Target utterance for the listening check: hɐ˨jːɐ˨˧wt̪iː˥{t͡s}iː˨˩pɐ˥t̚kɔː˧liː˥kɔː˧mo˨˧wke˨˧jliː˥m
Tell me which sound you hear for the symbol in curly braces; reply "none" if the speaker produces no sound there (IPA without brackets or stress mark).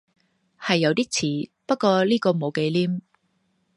t͡sʰ